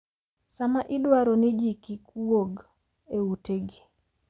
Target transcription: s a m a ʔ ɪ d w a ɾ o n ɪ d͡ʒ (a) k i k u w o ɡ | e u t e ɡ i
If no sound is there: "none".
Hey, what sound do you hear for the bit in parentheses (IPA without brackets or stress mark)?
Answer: i